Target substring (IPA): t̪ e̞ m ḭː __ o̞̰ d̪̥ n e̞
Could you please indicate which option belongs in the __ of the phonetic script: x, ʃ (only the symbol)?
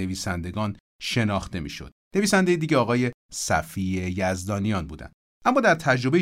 ʃ